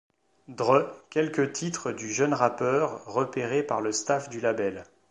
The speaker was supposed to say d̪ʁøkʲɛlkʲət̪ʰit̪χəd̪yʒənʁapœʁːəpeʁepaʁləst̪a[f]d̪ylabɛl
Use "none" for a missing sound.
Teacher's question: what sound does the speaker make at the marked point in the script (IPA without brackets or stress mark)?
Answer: f